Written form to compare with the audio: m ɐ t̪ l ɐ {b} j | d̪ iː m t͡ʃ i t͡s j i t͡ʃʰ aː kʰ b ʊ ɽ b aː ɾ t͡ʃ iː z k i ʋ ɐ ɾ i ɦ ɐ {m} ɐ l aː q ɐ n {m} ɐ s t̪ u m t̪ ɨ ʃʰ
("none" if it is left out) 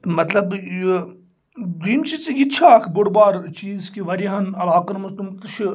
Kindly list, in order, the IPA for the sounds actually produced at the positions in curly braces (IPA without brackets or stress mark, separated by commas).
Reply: b, n, m